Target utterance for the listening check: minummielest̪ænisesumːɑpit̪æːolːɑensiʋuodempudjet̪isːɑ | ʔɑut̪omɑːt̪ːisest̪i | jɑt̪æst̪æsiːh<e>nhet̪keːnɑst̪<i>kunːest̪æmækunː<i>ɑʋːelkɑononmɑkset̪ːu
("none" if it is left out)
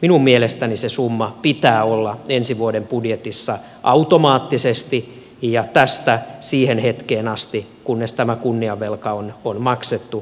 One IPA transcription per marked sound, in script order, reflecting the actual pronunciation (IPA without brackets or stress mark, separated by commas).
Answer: e, i, i